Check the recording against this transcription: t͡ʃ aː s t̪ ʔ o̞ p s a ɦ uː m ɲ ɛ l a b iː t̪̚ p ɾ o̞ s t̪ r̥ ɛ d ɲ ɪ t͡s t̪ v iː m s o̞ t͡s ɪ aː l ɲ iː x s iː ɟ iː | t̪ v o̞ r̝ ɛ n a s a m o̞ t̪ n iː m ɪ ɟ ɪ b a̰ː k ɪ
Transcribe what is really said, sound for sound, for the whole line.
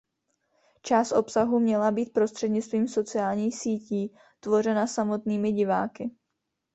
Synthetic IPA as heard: t͡ʃ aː s t̪ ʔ o̞ p s a ɦ u m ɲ ɛ l a b iː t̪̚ p ɾ o̞ s t̪ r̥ ɛ d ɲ ɪ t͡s t̪ v iː m s o̞ t͡s ɪ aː l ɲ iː x s iː c iː | t̪ v o̞ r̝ ɛ n a s a m o̞ t̪ n iː m ɪ ɟ ɪ v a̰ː k ɪ

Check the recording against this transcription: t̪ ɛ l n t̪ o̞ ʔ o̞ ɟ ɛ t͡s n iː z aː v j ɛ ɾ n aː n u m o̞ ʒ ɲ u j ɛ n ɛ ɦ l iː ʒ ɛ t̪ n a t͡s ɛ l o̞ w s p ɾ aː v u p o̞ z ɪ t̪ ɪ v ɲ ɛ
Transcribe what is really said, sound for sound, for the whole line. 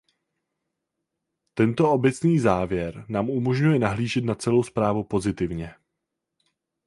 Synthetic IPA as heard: t̪ ɛ n t̪ o̞ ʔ o̞ b ɛ t͡s n iː z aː v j ɛ ɾ n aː m u m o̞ ʒ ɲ u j ɛ n a ɦ l iː ʒ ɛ t̪ n a t͡s ɛ l o̞ w s p ɾ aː v u p o̞ z ɪ t̪ ɪ v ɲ ɛ

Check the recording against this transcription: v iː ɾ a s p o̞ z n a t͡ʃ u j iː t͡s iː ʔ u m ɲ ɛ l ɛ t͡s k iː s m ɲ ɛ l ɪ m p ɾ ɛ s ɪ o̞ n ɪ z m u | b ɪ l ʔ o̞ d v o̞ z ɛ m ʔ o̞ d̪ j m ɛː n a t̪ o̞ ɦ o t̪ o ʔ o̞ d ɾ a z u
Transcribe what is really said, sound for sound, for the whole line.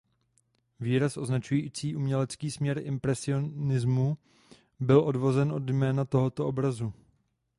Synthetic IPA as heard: v iː ɾ a s ʔ o̞ z n a t͡ʃ u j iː t͡s iː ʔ u m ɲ ɛ l ɛ t͡s k iː s m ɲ ɛ ɾ ɪ m p ɾ ɛ s ɪ o̞ n ɪ z m u | b ɪ l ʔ o̞ d v o̞ z ɛ n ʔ o̞ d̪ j m ɛː n a t̪ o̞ ɦ o t̪ o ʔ o̞ b ɾ a z u

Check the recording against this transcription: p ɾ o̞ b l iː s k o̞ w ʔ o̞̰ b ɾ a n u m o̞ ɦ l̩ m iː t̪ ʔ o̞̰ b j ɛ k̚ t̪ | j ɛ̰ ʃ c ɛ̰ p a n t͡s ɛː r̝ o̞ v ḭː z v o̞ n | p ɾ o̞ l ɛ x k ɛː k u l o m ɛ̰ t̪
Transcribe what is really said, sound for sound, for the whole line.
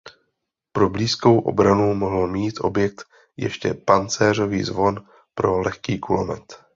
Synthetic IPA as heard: p ɾ o̞ b l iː s k o̞ w ʔ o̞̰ b ɾ a n u m o̞ ɦ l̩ m iː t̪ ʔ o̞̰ b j ɛ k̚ t̪ | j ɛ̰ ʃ c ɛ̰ p a n t͡s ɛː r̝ o̞ v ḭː z v o̞ n | p ɾ o̞ l ɛ x k iː k u l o m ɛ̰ t̪

